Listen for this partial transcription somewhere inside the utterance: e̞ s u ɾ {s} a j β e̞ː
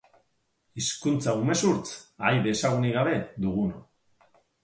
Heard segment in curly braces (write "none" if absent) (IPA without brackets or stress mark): t͡s